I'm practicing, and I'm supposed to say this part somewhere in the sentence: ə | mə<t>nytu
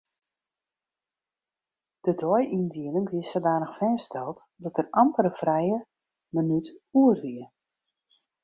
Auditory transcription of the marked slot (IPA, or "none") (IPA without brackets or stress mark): none